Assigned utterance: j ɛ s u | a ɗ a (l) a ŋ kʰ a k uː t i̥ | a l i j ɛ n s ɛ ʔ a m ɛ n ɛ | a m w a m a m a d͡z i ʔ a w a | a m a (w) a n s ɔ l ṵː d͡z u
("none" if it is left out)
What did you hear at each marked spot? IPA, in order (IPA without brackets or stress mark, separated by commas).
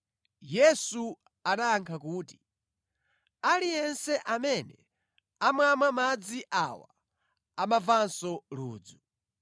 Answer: none, v